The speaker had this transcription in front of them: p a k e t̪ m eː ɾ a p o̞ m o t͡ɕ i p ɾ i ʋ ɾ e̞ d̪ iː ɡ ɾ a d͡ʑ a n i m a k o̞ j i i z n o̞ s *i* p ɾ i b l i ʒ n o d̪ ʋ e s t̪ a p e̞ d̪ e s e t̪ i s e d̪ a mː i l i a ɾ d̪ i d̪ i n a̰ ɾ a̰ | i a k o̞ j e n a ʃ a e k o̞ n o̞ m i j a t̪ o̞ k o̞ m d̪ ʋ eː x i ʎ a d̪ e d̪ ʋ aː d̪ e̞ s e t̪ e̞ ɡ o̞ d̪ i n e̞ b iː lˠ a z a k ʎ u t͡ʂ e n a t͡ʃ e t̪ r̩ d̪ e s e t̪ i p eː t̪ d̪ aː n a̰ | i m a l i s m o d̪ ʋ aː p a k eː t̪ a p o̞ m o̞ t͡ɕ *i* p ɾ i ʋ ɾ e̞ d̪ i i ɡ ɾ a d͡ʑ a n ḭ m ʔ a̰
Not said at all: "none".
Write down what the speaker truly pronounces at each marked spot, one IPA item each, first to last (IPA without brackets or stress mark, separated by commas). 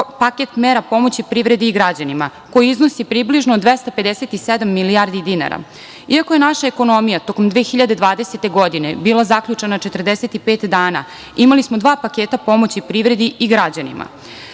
i, i